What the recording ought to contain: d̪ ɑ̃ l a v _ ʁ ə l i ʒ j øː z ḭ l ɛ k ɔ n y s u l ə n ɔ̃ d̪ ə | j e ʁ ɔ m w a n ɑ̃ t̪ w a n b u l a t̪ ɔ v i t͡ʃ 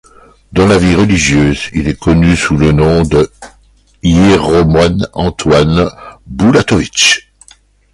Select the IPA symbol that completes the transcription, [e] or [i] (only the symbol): i